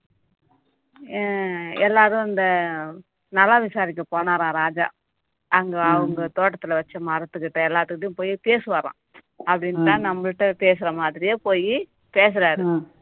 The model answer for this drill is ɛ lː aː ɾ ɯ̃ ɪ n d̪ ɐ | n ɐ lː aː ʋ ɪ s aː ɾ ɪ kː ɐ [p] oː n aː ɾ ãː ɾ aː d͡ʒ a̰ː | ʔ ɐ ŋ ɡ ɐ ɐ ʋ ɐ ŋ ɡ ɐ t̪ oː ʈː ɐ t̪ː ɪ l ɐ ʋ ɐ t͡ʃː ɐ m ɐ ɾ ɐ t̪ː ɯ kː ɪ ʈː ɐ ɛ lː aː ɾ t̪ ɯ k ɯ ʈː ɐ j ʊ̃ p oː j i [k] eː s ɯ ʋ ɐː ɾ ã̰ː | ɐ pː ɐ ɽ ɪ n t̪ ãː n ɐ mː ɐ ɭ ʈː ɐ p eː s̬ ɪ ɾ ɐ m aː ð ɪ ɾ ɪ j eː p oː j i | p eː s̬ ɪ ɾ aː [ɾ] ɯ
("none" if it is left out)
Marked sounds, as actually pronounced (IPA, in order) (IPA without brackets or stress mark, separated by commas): p, p, ɾ